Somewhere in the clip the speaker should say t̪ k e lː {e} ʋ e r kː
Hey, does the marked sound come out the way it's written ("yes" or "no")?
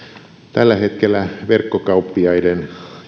no